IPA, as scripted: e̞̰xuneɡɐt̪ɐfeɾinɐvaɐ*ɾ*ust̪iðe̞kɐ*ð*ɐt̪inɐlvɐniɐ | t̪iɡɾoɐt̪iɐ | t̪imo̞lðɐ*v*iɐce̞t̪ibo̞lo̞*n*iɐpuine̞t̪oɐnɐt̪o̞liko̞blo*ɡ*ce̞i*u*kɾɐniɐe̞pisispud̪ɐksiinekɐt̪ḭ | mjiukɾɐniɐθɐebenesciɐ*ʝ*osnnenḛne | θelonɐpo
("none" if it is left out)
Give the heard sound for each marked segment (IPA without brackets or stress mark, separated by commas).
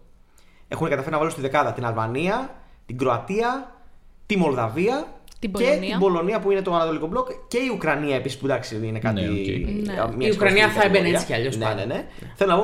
l, ð, v, n, k, u, ʎ